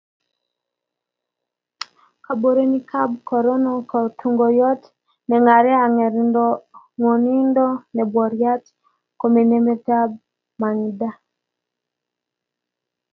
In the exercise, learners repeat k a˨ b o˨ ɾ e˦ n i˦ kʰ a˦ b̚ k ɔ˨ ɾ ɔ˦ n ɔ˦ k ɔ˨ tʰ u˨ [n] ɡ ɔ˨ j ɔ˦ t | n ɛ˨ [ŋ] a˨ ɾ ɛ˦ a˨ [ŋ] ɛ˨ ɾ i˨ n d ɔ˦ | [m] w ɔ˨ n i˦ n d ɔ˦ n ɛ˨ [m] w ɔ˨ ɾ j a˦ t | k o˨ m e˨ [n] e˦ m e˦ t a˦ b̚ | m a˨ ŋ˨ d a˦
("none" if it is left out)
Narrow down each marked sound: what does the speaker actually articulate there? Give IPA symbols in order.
ŋ, ŋ, ŋ, ŋ, b, n

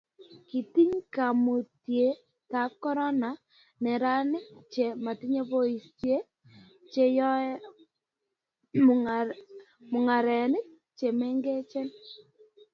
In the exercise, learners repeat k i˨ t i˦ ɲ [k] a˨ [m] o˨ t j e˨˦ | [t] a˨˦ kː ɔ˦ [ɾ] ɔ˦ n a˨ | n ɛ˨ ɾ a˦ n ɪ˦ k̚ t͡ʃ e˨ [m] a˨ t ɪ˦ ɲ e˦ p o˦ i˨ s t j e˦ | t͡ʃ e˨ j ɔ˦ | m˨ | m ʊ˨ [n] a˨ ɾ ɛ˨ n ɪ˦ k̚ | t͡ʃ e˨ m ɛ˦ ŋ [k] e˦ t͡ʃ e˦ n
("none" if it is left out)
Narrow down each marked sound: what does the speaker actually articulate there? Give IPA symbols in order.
k, m, t, ɾ, m, ŋ, ɡ

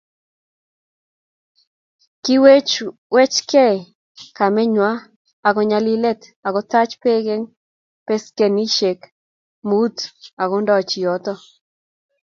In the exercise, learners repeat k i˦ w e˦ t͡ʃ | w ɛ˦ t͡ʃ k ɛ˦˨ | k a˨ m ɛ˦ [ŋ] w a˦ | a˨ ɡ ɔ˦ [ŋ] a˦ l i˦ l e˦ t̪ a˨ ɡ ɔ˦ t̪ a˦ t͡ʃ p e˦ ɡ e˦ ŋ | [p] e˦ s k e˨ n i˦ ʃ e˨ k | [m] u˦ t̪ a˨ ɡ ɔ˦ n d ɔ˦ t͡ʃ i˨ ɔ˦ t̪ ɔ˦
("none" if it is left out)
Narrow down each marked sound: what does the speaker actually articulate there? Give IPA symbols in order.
ɲ, ɲ, p, m

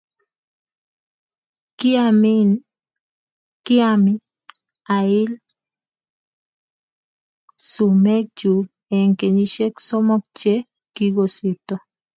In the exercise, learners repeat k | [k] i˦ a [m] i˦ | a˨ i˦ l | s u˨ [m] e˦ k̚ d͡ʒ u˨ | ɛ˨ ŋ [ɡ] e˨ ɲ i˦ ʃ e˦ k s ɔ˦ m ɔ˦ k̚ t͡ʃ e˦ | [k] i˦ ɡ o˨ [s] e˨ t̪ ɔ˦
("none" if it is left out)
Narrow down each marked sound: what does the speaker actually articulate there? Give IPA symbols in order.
k, m, m, k, k, s

